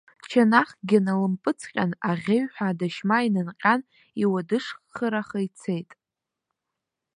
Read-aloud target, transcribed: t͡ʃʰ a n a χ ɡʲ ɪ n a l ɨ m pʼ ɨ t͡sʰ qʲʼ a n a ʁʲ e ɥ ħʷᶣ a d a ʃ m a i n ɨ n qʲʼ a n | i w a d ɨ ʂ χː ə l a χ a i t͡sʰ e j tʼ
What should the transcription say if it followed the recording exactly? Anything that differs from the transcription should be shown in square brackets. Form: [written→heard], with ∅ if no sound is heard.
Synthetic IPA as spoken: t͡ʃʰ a n a χ ɡʲ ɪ n a l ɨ m pʼ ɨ t͡sʰ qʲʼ a n a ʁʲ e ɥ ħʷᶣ a d a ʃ m a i n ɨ n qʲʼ a n | i w a d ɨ ʂ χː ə [l→ɾ] a χ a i t͡sʰ e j tʼ